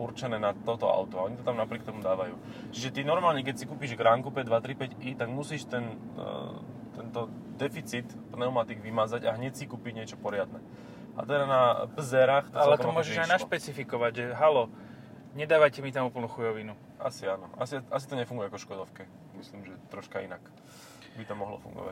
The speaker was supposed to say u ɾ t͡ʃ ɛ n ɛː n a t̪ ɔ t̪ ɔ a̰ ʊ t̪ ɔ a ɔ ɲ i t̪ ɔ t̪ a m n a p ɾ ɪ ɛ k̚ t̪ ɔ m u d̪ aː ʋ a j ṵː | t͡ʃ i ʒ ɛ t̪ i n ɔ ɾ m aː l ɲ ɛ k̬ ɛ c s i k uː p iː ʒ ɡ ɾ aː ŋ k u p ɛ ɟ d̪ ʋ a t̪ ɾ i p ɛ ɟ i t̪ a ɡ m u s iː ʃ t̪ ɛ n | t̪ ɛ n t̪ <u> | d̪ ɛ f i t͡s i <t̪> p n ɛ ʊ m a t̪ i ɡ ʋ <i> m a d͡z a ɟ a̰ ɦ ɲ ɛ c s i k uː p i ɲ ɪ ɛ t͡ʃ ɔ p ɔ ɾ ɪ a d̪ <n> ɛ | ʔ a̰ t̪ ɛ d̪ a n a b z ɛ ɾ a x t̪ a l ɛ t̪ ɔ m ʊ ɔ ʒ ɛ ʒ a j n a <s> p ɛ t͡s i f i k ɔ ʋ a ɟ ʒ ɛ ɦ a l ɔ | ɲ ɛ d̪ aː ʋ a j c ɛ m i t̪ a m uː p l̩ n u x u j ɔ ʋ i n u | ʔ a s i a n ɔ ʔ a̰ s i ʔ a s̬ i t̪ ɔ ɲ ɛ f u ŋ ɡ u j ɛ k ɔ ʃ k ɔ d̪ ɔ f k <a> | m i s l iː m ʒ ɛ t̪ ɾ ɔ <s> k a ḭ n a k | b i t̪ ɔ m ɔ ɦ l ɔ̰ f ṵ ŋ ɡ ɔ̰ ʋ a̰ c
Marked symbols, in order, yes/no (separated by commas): no, yes, yes, yes, no, no, no